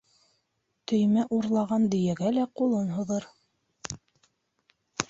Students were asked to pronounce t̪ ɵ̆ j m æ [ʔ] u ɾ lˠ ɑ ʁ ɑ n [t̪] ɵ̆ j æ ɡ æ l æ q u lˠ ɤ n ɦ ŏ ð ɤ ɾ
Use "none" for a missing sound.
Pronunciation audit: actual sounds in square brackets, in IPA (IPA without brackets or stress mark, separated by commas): ʔ, d̪